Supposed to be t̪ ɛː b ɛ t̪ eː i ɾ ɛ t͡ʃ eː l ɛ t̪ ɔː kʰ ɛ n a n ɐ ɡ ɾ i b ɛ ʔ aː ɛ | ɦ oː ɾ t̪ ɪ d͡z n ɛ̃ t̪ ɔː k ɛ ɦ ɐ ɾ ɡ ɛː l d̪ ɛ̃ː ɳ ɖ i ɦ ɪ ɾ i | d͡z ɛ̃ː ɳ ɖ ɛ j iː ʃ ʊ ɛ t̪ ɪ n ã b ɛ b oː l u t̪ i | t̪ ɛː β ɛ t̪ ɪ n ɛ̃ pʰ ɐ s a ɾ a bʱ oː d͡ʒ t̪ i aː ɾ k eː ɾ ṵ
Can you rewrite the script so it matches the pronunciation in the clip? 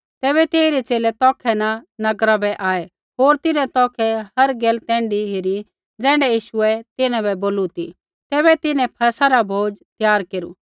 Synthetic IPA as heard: t̪ ɛː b ɛ t̪ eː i ɾ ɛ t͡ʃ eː l ɛ t̪ ɔː kʰ ɛ n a n ɐ ɡ ɾ a b ɛ ʔ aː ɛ | ɦ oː ɾ t̪ ɪ n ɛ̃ t̪ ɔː kʰ ɛ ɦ ɐ ɾ ɡ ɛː l t̪ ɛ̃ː ɳ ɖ i ɦ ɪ ɾ i | d͡z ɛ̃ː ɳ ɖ ɛ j iː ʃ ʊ ɛ t̪ ɪ n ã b ɛ b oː l u t̪ i | t̪ ɛː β ɛ t̪ ɪ n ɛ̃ pʰ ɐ s a ɾ a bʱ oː d͡ʒ t̪ j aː ɾ k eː ɾ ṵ